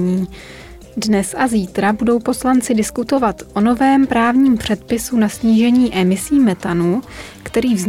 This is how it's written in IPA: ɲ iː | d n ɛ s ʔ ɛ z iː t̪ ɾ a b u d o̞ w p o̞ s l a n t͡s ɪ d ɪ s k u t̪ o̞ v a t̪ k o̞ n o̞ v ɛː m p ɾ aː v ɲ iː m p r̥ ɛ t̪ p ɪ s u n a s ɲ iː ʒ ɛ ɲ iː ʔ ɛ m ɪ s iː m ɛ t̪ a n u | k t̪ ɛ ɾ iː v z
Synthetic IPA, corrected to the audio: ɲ iː | d n ɛ s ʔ a z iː t̪ ɾ a b u d o̞ w p o̞ s l a n t͡s ɪ d ɪ s k u t̪ o̞ v a t̪ ʔ o̞ n o̞ v ɛː m p ɾ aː v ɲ iː m p r̥ ɛ t̪ p ɪ s u n a s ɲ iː ʒ ɛ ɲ iː ʔ ɛ m ɪ s iː m ɛ t̪ a n u | k t̪ ɛ ɾ iː v z